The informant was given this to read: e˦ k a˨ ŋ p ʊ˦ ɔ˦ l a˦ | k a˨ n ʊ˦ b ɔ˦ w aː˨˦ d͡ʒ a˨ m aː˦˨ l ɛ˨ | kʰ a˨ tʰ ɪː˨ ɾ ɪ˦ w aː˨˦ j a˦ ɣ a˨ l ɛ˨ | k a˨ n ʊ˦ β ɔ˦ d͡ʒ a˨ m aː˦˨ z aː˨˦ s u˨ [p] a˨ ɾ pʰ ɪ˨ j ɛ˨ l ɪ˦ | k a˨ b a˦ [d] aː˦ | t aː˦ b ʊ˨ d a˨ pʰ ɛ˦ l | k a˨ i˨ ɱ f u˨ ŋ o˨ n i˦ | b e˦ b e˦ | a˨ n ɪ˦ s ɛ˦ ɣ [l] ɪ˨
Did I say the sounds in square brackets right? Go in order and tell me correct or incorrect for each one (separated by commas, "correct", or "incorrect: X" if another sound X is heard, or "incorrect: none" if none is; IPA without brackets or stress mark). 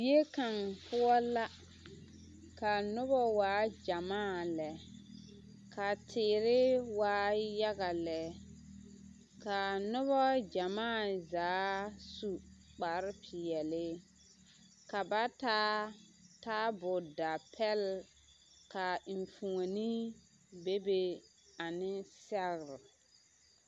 incorrect: k͡p, incorrect: t, incorrect: ɾ